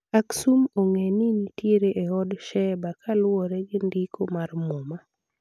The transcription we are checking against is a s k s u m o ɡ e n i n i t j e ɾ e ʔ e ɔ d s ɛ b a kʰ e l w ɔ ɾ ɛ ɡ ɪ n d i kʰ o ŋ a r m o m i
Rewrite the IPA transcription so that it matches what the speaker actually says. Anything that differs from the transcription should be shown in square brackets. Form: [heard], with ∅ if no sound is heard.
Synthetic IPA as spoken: a [∅] k s u m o [ŋ] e n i n i t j e ɾ e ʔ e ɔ d [ʃ] ɛ b a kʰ [a] l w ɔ ɾ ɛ ɡ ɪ n d i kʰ o [m] a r m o m [a]

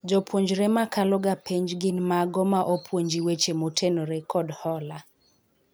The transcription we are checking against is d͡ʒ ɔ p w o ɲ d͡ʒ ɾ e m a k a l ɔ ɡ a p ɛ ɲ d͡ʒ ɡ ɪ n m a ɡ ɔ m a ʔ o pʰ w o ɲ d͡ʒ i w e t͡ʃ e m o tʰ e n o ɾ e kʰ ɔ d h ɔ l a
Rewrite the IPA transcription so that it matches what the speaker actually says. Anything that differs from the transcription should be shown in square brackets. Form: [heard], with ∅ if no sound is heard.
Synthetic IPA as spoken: d͡ʒ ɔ p w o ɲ d͡ʒ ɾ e m a k a l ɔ ɡ a p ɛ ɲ d͡ʒ ɡ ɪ n m a ɡ ɔ m a ʔ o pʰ w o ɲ d͡ʒ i w e t͡ʃ e m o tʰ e n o ɾ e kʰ ɔ d h ɔ l a

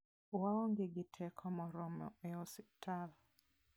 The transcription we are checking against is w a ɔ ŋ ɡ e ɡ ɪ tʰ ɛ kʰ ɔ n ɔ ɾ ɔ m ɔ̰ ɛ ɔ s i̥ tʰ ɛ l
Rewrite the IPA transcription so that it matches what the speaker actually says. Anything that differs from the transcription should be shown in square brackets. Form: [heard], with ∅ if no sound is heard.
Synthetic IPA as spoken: w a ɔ ŋ ɡ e ɡ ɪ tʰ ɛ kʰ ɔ [m] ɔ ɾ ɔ m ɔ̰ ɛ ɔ s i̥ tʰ [a] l

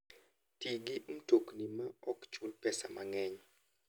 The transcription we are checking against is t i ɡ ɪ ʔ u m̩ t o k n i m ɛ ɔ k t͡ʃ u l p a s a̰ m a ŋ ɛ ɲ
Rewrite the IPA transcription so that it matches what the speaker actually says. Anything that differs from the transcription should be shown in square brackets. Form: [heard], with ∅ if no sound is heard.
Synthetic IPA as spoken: t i ɡ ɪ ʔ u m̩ t o k n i m [a] ɔ k t͡ʃ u l p [ɛ] s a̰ m a ŋ ɛ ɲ

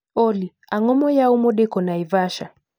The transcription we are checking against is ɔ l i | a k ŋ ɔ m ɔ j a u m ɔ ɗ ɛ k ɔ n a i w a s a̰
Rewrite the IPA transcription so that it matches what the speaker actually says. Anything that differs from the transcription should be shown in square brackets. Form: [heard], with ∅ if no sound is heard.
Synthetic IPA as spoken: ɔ l i | a [∅] ŋ ɔ m ɔ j a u m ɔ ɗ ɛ k ɔ n a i [v] a [ʃ] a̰

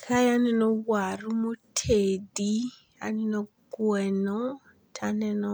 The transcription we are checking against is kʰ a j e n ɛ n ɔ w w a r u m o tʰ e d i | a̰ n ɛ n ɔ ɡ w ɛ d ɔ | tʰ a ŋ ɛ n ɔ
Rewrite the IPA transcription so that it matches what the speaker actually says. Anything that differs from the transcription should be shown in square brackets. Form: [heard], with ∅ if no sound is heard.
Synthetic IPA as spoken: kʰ a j [a] n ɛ n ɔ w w a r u m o tʰ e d i | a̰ n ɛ n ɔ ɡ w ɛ [n] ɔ | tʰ a [n] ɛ n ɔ

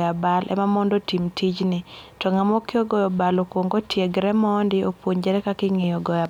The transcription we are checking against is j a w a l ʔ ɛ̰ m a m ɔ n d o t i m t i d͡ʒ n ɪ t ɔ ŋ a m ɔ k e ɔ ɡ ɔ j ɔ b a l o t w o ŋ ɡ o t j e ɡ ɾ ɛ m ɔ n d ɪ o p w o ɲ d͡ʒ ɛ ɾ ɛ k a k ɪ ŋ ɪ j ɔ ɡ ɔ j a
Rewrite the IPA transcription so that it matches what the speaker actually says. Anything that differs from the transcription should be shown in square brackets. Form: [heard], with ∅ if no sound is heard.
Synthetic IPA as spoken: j a [b] a l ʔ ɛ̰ m a m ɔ n d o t i m t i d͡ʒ n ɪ t ɔ ŋ a m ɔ k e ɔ ɡ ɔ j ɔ b a l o [k] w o ŋ ɡ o t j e ɡ ɾ ɛ m ɔ n d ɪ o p w o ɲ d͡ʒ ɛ ɾ ɛ k a k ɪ ŋ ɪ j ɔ ɡ ɔ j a

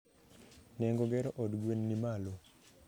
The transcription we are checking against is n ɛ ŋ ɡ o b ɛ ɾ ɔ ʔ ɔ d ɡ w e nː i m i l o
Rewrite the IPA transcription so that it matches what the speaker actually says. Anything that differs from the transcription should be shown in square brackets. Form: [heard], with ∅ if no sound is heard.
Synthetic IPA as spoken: n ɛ ŋ ɡ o [ɡ] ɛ ɾ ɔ ʔ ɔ d ɡ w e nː i m [a] l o

